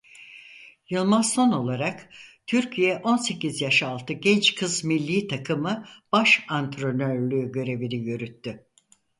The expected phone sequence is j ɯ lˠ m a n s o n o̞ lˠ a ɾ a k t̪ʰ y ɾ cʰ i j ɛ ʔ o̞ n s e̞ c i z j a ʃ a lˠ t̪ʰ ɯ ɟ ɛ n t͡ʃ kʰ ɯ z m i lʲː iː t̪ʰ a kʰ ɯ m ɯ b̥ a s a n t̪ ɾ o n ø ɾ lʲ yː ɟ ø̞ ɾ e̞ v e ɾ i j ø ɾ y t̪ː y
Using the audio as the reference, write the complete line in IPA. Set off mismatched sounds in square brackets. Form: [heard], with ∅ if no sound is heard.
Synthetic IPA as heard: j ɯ lˠ m a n s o n o̞ lˠ a ɾ a k t̪ʰ y ɾ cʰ i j ɛ ʔ o̞ n s e̞ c i z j a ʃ a lˠ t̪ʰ ɯ ɟ ɛ n t͡ʃ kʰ ɯ z m i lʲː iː t̪ʰ a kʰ ɯ m ɯ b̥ a [ʃ] a n t̪ ɾ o n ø ɾ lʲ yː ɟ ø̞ ɾ e̞ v [i] ɾ i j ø ɾ y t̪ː y